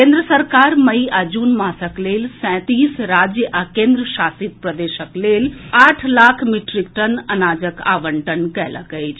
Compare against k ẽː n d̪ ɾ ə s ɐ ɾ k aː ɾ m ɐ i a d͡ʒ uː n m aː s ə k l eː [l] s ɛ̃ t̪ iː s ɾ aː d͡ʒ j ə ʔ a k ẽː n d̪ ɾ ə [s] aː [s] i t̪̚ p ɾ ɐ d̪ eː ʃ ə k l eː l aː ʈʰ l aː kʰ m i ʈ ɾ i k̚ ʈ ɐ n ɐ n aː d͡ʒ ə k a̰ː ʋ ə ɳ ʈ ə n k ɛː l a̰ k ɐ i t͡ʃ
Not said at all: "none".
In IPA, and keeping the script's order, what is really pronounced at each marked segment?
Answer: l, ʃ, s

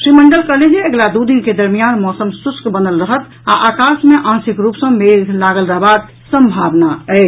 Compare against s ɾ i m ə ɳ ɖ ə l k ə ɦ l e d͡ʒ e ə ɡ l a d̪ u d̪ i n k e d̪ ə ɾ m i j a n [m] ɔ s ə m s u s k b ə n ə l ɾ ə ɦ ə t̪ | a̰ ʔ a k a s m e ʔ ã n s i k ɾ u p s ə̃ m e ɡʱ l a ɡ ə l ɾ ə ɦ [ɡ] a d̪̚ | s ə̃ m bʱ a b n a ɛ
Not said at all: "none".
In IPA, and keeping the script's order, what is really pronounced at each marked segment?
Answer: m, b

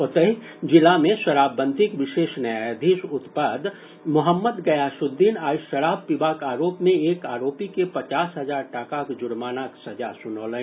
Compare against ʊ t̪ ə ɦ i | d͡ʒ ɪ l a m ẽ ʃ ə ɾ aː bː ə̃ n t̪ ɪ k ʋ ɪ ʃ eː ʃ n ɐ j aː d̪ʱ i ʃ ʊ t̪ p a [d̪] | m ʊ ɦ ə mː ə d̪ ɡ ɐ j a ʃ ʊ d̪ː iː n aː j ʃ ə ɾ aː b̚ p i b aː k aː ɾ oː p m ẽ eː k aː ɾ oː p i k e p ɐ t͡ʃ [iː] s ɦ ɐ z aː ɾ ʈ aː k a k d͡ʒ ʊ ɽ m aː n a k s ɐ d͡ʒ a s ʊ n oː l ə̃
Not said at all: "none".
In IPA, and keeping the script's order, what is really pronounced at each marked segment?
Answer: d̪, aː

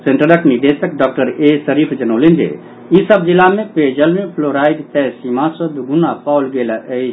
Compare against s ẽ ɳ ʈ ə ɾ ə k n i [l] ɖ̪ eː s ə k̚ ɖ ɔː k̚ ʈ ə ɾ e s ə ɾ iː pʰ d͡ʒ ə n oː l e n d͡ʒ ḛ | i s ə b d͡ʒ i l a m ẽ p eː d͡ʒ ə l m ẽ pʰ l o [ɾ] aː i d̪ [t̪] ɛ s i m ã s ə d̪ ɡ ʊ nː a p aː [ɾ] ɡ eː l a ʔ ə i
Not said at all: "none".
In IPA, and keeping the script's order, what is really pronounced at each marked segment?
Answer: none, ɾ, t̪, l

